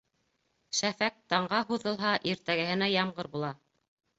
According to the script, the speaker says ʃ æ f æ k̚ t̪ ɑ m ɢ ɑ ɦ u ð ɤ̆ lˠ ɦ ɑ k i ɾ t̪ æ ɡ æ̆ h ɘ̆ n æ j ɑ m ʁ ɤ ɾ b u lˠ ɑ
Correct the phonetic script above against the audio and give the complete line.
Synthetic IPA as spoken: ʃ æ f æ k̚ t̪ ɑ ɴ ɢ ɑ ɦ u ð ɤ̆ lˠ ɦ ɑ ʔ i ɾ t̪ æ ɡ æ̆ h ɘ̆ n æ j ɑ m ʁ ɤ ɾ b u lˠ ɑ

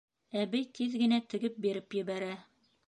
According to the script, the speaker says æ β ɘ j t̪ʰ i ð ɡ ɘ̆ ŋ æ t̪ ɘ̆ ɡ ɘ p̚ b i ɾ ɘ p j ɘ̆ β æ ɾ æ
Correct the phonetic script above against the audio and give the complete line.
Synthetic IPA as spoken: æ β ɘ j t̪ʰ i ð ɡ ɘ̆ n æ t̪ ɘ̆ ɡ ɘ p̚ b i ɾ ɘ p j ɘ̆ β æ ɾ æ

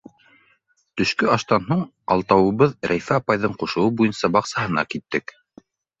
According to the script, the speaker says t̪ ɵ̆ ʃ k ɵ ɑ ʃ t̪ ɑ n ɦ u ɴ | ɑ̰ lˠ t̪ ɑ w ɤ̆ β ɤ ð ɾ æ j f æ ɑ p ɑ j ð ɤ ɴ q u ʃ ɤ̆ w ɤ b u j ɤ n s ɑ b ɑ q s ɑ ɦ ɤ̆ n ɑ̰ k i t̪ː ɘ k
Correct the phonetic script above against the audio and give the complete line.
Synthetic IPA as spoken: t̪ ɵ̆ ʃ k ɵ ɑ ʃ t̪ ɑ n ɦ u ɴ | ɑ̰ lˠ t̪ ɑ w ɤ̆ β ɤ ð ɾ æ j f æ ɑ p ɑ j ð ɤ ɴ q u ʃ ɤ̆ w ɤ b u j ɤ n s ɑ b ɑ q s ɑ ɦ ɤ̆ n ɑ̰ k i t̪ː ɘ k

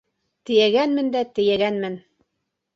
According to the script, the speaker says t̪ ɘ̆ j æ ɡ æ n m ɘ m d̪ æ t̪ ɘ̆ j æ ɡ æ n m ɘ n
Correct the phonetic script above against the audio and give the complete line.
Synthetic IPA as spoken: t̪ ɘ̆ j æ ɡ æ n m ɘ n d̪ æ t̪ ɘ̆ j æ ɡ æ n m ɘ n

